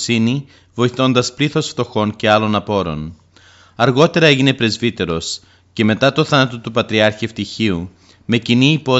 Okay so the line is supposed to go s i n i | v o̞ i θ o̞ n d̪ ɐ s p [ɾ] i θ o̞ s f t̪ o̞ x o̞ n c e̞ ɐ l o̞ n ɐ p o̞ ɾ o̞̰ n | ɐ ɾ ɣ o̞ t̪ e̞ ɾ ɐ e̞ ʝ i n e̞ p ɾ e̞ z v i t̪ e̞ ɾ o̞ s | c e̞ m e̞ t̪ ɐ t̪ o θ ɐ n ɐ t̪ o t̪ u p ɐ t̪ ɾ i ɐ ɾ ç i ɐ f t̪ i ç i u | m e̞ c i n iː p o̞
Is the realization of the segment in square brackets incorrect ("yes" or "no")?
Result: yes